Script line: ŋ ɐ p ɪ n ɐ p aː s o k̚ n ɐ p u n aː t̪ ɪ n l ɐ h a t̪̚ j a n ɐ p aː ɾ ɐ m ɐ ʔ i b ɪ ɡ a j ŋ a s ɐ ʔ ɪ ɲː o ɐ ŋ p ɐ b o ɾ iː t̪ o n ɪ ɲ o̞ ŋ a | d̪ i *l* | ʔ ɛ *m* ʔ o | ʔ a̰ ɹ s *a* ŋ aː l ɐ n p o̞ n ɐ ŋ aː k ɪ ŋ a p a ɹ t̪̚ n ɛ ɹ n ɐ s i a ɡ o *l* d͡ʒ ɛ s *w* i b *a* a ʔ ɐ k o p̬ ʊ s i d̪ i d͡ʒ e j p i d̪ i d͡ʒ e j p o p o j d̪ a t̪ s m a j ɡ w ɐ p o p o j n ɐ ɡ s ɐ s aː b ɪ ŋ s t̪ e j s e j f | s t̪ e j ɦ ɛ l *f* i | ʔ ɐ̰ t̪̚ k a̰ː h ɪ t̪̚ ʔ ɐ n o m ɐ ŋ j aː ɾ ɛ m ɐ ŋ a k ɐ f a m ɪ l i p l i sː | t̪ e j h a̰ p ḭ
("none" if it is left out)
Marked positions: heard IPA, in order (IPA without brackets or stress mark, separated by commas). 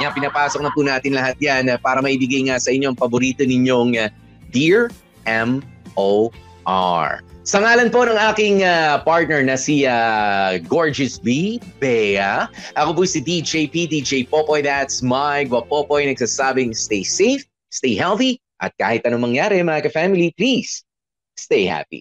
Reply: ɹ, m, ɐ, ɹ, b, ɛ, θ